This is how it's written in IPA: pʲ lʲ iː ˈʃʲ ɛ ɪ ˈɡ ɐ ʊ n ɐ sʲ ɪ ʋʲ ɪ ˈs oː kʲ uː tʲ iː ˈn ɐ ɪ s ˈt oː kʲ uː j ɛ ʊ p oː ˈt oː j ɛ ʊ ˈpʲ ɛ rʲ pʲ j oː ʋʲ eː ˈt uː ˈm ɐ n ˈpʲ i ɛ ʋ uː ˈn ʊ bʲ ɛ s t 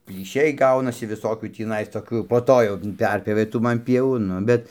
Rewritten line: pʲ lʲ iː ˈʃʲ ɛ ɪ ˈɡ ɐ ʊ n ɐ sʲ ɪ ʋʲ ɪ ˈs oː kʲ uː tʲ iː ˈn ɐ ɪ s ˈt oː kʲ uː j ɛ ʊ p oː ˈt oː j ɛ ʊ ˈpʲ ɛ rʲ pʲ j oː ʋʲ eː ˈt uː ˈm ɐ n ˈpʲ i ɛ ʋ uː ˈn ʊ bʲ ɛ t